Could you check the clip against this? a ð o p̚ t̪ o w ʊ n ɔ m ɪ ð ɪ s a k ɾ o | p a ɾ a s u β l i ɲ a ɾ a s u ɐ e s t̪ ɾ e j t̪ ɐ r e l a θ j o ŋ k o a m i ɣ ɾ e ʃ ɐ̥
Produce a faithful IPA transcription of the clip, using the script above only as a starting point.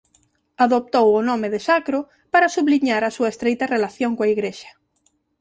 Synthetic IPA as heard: a ð o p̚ t̪ o w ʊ n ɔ m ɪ ð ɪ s a k ɾ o | p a ɾ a s u β l i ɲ a ɾ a s u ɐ e s t̪ ɾ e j t̪ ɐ r e l a θ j o ŋ k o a i ɣ ɾ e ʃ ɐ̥